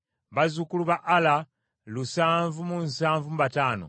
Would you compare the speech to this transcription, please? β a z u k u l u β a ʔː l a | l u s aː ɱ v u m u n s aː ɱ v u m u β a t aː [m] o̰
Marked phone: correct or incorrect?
incorrect